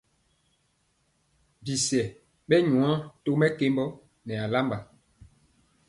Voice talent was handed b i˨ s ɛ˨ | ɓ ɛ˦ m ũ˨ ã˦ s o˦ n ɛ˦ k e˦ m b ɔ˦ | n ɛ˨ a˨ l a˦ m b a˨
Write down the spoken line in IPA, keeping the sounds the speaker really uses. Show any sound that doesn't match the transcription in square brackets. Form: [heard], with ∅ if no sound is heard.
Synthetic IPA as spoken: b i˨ s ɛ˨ | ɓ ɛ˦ [ɲ] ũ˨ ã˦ [t] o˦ [m] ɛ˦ k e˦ m b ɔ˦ | n ɛ˨ a˨ l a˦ m b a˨